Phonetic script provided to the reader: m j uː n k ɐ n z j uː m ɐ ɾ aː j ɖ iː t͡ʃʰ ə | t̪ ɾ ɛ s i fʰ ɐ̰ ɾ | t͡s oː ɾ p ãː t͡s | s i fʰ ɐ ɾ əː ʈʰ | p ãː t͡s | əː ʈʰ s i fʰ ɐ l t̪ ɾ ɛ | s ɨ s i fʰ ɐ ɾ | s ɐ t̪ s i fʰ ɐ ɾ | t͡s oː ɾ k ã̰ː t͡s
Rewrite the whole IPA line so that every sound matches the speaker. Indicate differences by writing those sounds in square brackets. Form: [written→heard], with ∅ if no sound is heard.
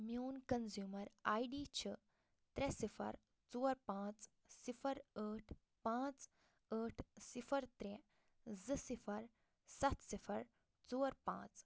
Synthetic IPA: m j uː n k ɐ n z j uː m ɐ ɾ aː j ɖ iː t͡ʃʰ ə | t̪ ɾ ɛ s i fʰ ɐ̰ ɾ | t͡s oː ɾ p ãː t͡s | s i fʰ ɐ ɾ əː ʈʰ | p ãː t͡s | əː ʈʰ s i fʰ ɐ [l→ɾ] t̪ ɾ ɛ | [s→z] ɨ s i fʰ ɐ ɾ | s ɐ t̪ s i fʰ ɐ ɾ | t͡s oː ɾ [k→p] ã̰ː t͡s